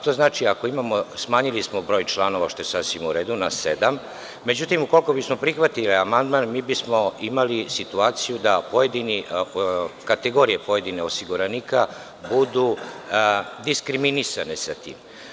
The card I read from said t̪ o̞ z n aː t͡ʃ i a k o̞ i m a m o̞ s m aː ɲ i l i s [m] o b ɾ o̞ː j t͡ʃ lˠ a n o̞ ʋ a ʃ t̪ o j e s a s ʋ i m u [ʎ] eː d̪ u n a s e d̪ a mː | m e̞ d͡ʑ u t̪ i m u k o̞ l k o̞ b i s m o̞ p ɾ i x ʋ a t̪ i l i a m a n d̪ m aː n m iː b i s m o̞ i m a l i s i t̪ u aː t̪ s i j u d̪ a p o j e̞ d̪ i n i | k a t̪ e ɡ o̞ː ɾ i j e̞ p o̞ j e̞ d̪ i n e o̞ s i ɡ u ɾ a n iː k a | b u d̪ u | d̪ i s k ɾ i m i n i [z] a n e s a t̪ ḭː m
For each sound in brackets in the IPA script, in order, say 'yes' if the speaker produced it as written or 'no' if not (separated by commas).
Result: yes, no, no